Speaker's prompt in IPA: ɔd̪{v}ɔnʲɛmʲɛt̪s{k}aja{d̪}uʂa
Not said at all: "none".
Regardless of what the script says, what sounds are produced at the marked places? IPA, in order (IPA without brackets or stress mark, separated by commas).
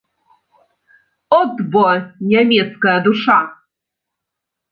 b, k, d̪